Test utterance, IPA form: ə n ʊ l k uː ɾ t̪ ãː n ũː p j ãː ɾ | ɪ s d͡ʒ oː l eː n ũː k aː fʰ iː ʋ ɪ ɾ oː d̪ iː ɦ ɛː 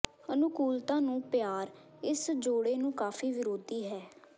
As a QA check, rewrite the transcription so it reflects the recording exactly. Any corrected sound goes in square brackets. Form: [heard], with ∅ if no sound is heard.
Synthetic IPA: ə n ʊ [∅] k uː [l] t̪ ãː n ũː p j [aː] ɾ | ɪ s d͡ʒ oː [ɽ] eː n ũː k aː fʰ iː ʋ ɪ ɾ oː d̪ iː ɦ ɛː